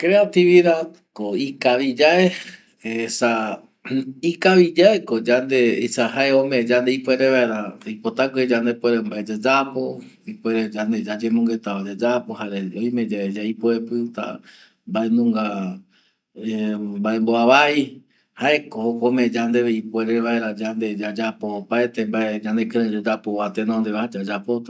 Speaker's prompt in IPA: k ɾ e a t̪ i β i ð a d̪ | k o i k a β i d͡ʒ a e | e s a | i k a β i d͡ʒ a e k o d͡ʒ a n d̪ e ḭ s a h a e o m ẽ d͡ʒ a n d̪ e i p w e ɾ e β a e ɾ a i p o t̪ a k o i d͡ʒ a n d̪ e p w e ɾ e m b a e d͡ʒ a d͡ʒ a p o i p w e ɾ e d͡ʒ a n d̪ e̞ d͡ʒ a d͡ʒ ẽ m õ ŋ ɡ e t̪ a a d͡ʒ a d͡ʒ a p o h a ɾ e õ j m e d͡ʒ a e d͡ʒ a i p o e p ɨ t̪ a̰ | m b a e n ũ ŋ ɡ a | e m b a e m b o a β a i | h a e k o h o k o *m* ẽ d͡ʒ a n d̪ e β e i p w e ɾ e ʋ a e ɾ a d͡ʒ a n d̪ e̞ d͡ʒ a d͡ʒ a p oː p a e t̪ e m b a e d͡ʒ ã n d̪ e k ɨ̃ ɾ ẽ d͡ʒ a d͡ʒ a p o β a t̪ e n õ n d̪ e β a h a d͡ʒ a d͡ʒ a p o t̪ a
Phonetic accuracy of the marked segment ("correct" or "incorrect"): correct